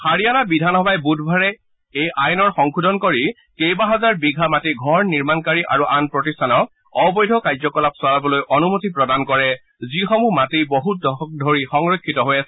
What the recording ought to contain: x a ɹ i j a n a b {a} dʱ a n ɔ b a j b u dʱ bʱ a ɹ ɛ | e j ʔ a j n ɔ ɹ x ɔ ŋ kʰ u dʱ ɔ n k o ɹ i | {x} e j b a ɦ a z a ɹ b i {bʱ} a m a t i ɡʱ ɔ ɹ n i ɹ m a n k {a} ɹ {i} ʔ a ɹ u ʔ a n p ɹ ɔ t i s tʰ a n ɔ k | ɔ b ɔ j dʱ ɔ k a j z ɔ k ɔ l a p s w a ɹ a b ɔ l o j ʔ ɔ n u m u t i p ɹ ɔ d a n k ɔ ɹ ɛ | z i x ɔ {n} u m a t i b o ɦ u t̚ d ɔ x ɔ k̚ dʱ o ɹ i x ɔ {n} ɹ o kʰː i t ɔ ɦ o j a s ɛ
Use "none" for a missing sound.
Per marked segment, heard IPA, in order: i, k, ɡʱ, a, i, m, ŋ

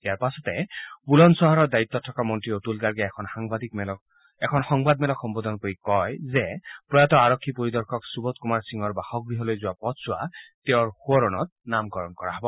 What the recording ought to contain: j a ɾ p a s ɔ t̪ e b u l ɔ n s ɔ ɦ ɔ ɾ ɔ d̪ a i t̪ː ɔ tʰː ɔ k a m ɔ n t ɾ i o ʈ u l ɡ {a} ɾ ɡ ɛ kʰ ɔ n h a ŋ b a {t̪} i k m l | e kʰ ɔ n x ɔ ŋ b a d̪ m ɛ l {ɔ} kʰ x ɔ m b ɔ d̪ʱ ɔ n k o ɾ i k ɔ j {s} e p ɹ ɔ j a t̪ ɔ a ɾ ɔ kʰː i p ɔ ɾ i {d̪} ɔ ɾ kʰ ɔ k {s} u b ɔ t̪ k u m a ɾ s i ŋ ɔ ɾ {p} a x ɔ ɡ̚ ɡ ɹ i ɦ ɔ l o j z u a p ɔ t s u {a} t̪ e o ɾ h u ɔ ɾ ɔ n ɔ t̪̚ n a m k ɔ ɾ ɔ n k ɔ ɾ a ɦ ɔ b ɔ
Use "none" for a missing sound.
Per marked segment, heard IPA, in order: a, d̪, ɔ, z, d̪, s, b, a

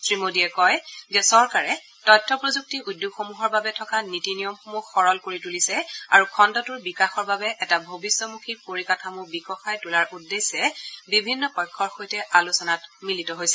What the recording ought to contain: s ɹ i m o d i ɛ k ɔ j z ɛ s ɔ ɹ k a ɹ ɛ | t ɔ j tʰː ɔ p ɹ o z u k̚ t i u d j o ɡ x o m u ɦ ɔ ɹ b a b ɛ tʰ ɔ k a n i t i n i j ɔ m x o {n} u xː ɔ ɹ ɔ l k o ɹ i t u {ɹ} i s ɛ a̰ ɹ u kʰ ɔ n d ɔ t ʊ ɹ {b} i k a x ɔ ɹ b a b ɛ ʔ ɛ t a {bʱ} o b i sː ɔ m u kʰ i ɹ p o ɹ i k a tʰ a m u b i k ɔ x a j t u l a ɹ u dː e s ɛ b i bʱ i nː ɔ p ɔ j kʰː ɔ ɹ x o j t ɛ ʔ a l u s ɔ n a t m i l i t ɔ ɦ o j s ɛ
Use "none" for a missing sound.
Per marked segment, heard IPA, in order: m, l, b, bʱ

